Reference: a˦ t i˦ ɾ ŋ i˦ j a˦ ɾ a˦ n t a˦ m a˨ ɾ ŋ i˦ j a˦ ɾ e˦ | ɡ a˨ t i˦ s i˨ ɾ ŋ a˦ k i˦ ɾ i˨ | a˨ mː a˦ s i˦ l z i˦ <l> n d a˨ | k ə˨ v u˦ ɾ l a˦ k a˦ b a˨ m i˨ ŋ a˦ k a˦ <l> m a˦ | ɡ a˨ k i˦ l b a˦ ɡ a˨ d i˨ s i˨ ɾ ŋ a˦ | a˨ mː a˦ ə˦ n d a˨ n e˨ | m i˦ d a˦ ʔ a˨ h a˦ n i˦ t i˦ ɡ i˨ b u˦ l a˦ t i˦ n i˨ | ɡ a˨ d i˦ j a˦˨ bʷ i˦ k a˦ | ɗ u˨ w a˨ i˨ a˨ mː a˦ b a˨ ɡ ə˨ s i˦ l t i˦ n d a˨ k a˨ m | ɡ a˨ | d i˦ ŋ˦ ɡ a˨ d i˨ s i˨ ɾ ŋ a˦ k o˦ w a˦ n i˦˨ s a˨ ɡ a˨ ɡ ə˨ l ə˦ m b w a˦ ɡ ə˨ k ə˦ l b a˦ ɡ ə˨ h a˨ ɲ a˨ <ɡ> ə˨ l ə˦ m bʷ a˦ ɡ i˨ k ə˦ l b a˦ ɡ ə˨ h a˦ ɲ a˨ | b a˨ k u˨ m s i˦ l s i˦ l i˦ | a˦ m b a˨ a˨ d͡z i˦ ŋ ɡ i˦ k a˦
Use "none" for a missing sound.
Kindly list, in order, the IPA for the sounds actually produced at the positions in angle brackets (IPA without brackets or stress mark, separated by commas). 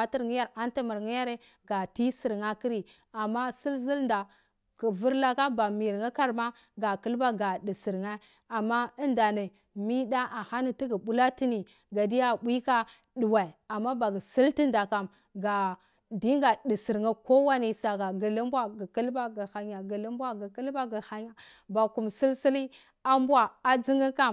l, ɾ, ɡ